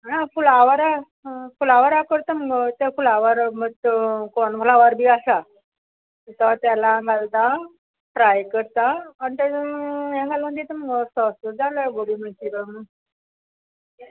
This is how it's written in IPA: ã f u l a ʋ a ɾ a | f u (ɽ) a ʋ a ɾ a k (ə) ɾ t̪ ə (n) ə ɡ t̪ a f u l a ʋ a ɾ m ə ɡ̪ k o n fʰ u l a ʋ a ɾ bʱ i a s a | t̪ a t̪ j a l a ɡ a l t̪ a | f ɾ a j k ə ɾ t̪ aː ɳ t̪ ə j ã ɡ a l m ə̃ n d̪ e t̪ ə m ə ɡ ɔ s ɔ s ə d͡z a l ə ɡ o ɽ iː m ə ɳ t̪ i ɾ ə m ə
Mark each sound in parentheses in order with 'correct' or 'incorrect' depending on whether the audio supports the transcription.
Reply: incorrect, correct, incorrect

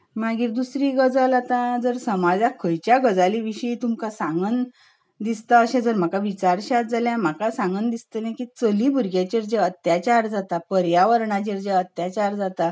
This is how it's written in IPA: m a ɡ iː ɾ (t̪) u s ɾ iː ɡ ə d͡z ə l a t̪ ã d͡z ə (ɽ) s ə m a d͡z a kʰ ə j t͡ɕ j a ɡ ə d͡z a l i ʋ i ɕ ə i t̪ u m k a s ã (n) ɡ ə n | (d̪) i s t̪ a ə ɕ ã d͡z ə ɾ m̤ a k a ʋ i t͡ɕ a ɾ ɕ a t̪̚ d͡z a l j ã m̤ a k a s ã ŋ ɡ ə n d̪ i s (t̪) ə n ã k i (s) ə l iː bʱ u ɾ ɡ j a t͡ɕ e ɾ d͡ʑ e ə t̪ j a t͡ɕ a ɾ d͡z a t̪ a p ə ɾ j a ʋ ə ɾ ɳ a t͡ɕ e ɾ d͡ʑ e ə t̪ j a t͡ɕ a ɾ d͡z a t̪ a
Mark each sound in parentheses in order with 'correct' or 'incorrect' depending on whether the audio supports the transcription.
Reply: incorrect, incorrect, incorrect, correct, correct, incorrect

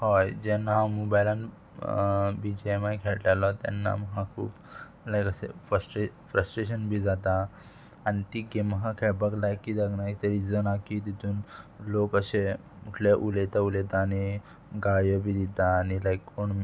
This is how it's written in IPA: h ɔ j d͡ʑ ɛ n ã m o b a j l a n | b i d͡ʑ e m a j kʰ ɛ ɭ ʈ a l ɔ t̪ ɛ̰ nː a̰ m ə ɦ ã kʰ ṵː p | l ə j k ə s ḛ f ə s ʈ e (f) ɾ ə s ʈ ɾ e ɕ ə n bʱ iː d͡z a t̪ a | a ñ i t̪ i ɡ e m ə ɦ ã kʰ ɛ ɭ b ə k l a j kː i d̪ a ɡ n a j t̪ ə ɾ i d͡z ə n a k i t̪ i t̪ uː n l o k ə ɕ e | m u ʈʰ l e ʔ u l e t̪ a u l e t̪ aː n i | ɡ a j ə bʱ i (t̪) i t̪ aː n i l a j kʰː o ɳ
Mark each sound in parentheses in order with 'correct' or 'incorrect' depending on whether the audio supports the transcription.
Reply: correct, incorrect

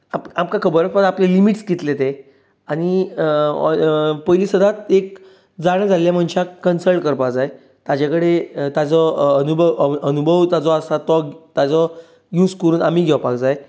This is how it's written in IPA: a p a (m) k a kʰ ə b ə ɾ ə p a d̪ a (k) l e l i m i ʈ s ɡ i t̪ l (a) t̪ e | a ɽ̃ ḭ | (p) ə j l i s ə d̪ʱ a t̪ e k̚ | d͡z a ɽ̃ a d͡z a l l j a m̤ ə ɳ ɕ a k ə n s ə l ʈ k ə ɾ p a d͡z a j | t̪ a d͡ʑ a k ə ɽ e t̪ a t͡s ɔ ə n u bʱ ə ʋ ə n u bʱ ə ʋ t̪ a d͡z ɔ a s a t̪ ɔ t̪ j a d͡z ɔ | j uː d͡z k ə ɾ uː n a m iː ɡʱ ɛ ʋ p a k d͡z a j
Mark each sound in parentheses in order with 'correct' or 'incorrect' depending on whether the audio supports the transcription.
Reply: correct, incorrect, incorrect, correct

